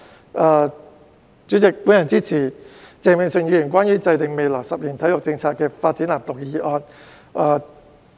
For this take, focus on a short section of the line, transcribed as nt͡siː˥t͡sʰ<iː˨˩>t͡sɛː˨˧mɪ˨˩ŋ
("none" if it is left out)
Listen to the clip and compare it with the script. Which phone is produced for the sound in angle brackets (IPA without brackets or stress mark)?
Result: iː˨˩